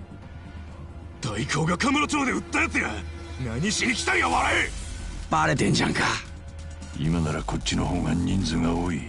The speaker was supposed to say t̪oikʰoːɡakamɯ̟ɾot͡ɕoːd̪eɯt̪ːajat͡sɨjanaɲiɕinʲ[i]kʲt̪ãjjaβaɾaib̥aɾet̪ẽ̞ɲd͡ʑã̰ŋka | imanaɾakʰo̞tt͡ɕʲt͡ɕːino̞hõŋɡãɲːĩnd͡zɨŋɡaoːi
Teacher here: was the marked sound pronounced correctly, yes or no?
yes